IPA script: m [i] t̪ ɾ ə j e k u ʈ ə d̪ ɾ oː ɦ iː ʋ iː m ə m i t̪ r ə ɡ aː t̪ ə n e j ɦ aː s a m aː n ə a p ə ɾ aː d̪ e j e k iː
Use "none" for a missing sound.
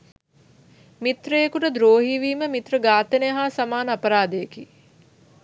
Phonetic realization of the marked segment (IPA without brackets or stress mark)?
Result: i